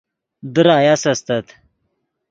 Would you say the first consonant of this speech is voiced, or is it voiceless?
voiced